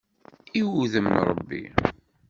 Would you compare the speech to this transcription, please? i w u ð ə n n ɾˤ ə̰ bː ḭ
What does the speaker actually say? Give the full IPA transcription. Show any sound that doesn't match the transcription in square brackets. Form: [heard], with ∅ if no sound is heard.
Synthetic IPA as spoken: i w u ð ə [m] n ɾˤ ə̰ bː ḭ